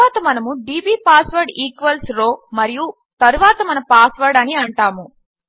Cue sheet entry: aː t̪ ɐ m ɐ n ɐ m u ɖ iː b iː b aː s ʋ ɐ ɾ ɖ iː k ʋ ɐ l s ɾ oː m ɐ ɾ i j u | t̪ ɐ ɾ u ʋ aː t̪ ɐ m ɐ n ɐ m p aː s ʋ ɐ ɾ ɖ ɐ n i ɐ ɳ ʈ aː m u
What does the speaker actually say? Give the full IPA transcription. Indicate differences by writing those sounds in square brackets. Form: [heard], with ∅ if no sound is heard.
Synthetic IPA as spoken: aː t̪ ɐ m ɐ n ɐ m u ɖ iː b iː [p] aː s ʋ ɐ ɾ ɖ iː k ʋ ɐ l s ɾ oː m ɐ ɾ i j u | t̪ ɐ ɾ u ʋ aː t̪ ɐ m ɐ n ɐ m p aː s ʋ ɐ ɾ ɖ ɐ n i ɐ ɳ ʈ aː m u